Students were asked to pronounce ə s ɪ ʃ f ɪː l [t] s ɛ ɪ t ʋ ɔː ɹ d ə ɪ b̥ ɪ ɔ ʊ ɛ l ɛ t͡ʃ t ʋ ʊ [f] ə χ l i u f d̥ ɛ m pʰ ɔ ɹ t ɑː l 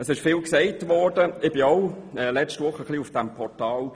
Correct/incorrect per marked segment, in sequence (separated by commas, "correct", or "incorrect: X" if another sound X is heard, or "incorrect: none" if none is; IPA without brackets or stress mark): incorrect: k, incorrect: χ